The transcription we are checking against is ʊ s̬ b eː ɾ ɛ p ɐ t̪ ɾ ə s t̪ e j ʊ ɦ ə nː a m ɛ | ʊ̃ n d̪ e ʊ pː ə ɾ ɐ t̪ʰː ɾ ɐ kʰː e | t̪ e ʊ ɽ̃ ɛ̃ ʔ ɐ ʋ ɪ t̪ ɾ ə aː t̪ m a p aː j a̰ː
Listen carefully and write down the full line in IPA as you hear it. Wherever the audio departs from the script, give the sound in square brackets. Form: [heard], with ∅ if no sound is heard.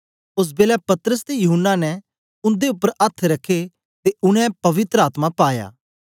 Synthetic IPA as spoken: ʊ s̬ b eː [l] ɛ p ɐ t̪ ɾ ə s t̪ e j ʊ ɦ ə nː a [n] ɛ | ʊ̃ n d̪ e ʊ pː ə ɾ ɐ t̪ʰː ɾ ɐ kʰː e | t̪ e ʊ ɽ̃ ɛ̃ [p] ɐ ʋ ɪ t̪ ɾ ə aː t̪ m a p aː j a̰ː